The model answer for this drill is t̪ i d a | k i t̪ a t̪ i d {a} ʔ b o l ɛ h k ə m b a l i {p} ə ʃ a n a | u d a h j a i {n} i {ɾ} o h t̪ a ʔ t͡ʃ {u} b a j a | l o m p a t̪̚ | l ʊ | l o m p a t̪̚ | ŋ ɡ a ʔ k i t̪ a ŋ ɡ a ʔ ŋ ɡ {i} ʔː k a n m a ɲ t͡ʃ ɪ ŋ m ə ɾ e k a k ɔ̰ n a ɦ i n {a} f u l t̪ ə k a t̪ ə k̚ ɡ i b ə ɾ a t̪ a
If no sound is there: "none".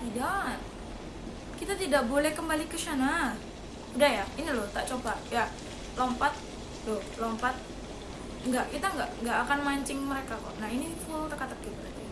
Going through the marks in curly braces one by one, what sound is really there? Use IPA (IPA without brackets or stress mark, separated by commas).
a, k, n, l, o, a, i